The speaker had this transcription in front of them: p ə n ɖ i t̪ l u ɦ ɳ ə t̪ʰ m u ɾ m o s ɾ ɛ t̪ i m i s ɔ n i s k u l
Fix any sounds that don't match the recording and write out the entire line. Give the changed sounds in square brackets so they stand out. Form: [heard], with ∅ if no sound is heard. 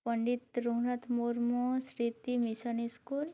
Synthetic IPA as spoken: p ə [ɳ] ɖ i t̪ [ɾ] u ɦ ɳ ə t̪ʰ m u ɾ m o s ɾ [i] t̪ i m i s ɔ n i s k u l